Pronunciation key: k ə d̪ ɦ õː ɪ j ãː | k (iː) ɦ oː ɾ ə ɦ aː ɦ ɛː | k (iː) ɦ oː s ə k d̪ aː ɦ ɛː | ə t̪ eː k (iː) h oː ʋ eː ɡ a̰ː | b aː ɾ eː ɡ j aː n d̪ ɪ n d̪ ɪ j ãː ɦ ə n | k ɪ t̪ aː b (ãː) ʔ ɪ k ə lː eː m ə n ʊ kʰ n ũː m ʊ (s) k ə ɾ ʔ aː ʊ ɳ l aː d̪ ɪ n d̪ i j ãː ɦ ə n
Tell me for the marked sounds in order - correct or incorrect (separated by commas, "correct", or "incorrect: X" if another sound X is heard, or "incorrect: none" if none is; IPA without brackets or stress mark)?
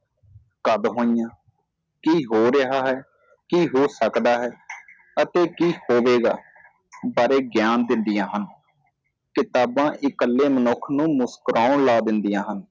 correct, correct, correct, correct, correct